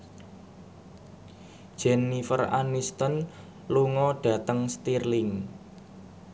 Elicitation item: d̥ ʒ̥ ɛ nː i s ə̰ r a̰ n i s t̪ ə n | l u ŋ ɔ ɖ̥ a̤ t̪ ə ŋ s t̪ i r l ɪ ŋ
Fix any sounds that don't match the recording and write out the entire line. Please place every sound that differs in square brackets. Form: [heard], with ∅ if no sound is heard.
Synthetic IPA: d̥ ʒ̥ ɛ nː i [f] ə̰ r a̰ n i s t̪ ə n | l u ŋ ɔ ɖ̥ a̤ t̪ ə ŋ s t̪ i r l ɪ ŋ